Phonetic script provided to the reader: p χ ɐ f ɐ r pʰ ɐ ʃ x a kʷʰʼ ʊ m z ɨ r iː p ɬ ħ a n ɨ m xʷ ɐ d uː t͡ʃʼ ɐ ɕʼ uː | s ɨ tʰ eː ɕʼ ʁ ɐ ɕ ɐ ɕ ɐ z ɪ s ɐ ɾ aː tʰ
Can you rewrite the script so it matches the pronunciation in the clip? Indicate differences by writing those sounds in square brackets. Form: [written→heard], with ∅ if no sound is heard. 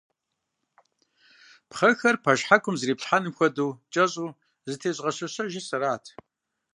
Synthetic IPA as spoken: p χ ɐ [f→x] ɐ r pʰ ɐ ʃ [x→ħ] a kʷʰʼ ʊ m z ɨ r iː p ɬ ħ a n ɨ m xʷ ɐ d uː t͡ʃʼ ɐ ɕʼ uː | [s→z] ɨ tʰ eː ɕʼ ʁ ɐ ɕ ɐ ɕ ɐ [z→ʒ] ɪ s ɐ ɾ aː tʰ